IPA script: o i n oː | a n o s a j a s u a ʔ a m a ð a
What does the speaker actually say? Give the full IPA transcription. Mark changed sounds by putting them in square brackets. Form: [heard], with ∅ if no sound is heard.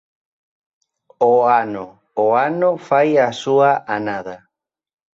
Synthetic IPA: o [a] n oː | a n o [f] a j a s u a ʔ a [n] a ð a